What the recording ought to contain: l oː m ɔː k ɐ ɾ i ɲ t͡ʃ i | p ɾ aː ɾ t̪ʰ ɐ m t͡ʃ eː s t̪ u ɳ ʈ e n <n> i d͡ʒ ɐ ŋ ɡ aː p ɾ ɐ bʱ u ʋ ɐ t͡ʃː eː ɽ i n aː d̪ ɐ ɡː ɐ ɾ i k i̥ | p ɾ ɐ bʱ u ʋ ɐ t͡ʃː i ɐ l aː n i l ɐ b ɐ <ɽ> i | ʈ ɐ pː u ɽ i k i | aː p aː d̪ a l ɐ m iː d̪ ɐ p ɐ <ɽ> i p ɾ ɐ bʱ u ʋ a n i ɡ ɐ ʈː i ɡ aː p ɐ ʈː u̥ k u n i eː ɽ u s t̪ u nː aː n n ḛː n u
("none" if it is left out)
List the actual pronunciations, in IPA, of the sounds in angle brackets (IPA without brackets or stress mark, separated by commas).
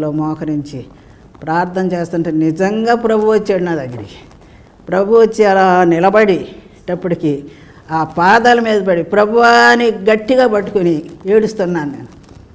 n, ɽ, ɽ